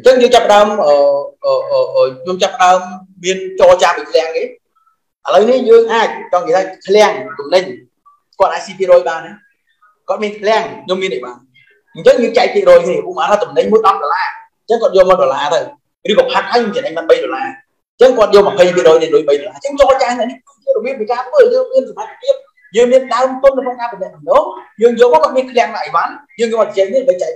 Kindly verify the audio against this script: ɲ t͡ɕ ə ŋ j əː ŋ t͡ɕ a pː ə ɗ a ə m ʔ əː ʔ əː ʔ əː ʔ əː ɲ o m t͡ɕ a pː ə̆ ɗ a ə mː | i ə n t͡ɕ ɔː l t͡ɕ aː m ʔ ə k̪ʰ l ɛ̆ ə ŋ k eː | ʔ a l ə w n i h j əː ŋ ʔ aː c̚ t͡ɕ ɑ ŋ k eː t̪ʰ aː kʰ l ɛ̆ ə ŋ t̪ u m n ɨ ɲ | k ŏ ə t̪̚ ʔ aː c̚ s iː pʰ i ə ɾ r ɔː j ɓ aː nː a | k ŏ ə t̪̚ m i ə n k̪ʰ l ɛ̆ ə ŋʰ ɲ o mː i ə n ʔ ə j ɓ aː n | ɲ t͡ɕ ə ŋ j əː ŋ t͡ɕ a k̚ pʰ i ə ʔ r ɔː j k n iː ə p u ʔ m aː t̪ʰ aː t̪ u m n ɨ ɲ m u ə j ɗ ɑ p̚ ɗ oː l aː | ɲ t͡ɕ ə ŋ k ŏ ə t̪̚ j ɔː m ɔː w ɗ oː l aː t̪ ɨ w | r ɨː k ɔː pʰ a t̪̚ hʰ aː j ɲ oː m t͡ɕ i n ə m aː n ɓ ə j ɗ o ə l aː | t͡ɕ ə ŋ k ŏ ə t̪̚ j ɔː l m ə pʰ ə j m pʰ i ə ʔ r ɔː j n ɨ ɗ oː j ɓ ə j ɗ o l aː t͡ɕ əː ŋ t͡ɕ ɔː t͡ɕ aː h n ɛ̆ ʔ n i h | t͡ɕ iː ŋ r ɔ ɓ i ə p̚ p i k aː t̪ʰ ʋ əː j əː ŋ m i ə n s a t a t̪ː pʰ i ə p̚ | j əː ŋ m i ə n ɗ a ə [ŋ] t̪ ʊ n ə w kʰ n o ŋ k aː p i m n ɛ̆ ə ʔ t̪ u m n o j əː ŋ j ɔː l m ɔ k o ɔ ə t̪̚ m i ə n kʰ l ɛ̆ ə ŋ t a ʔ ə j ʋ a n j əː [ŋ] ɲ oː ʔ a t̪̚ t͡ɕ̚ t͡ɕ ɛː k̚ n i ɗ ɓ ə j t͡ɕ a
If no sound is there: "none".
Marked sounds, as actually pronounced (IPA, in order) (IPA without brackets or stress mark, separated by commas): m, ŋ